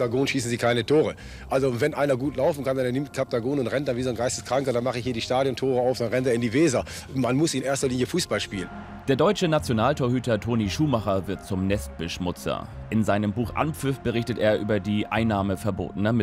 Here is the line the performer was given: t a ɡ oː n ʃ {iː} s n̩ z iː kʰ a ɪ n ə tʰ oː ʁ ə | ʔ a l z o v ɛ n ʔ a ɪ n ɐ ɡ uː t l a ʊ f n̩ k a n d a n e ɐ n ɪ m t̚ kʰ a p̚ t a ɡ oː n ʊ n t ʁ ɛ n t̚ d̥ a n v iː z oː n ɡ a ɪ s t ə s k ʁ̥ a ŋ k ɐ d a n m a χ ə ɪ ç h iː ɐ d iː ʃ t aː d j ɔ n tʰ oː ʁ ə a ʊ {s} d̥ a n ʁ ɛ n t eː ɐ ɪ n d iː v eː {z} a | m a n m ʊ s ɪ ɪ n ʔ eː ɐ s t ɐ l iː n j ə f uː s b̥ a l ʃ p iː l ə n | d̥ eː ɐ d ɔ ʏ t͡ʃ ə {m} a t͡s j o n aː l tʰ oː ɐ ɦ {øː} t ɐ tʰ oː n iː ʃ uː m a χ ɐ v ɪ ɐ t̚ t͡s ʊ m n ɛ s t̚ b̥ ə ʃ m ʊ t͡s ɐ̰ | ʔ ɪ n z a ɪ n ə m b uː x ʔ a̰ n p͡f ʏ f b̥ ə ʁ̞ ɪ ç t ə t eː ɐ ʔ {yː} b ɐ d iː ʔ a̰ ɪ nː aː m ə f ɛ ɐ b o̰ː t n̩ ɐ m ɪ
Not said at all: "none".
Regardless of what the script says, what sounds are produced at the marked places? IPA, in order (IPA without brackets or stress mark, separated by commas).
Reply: iː, f, z, n, yː, yː